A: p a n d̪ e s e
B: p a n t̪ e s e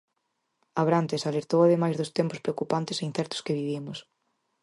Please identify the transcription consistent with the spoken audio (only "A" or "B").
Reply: B